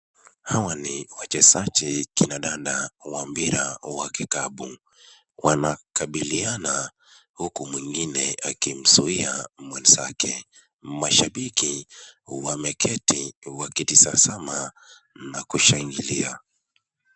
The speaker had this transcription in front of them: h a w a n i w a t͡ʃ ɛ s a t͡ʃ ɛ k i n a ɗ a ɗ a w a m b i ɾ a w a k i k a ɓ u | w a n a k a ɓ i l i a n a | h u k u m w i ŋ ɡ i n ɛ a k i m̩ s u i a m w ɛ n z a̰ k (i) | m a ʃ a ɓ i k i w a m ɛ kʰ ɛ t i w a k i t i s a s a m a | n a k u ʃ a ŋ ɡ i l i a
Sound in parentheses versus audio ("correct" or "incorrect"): incorrect